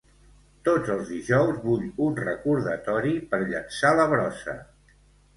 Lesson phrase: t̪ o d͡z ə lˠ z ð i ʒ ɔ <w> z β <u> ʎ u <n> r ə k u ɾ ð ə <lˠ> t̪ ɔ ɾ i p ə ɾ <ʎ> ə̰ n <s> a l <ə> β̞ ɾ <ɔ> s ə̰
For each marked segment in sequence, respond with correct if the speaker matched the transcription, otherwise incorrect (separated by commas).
correct, correct, correct, incorrect, correct, correct, correct, correct